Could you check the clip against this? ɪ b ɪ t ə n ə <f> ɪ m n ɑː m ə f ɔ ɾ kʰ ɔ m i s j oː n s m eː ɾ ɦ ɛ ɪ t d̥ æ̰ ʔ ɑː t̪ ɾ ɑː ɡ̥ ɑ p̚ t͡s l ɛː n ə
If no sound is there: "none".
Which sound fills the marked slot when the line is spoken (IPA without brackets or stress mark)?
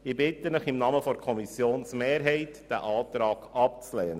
χ